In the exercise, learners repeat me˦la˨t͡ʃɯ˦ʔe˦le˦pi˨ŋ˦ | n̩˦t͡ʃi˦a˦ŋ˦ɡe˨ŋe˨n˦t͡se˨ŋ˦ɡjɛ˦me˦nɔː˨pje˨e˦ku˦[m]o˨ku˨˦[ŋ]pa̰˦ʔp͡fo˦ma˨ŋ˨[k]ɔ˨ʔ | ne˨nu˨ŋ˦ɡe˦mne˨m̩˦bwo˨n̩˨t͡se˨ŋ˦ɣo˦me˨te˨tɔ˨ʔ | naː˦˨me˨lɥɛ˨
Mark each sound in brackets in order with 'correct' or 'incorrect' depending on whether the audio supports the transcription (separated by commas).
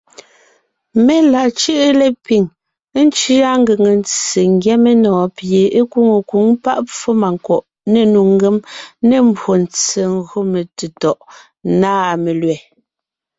incorrect, correct, correct